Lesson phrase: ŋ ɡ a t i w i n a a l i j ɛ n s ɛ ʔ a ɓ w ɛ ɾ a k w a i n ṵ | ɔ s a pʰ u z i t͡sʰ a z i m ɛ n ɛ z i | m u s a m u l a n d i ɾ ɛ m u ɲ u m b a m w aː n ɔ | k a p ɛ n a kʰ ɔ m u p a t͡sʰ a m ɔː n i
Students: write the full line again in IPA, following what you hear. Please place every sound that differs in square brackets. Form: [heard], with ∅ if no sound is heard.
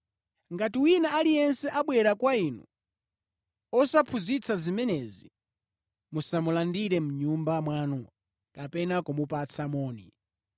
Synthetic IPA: ŋ ɡ a t i w i n a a l i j ɛ n s ɛ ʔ a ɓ w ɛ ɾ a k w a i n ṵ | ɔ s a pʰ u z i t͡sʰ a z i m ɛ n ɛ z i | m u s a m u l a n d i ɾ ɛ m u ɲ u m b a m w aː n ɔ | k a p ɛ n a [k] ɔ m u p a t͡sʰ a m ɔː n i

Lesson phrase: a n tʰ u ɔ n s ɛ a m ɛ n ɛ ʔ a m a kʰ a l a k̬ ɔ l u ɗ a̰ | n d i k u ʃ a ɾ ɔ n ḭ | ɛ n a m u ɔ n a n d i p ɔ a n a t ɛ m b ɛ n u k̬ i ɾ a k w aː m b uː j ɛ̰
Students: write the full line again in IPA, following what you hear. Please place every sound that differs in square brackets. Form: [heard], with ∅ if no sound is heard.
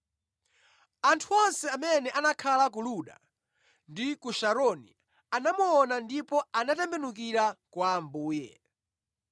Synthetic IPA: a n tʰ u ɔ n s ɛ a m ɛ n ɛ ʔ a [n] a kʰ a l a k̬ [u] l u ɗ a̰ | n d i k u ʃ a ɾ ɔ n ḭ | [a] n a m u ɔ n a n d i p ɔ a n a t ɛ m b ɛ n u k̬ i ɾ a k w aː m b uː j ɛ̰

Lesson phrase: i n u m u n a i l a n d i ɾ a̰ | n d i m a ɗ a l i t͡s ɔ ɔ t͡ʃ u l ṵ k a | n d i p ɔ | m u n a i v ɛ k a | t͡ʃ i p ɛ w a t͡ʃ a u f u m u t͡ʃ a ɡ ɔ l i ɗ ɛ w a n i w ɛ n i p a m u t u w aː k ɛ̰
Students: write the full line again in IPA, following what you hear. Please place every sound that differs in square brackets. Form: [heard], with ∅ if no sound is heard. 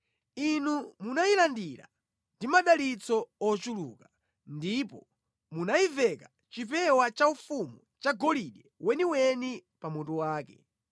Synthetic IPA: i n u m u n a i l a n d i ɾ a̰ | n d i m a ɗ a l i t͡s ɔ ɔ t͡ʃ u l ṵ k a | n d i p ɔ | m u n a i v ɛ k a | t͡ʃ i p ɛ w a t͡ʃ a u f u m u t͡ʃ a ɡ ɔ l i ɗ ɛ w [ɛ] n i w ɛ n i p a m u t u w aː k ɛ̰

